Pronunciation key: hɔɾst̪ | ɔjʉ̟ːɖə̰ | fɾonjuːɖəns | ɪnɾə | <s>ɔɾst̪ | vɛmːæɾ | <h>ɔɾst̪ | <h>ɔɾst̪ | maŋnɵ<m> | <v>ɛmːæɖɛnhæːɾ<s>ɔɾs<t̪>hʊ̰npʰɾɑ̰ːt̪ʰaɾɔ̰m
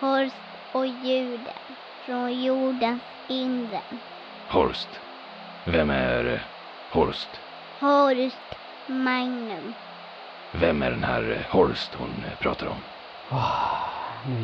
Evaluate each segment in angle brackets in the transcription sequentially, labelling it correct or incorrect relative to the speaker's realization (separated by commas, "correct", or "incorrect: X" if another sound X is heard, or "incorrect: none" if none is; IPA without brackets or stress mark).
incorrect: h, correct, correct, correct, correct, incorrect: h, correct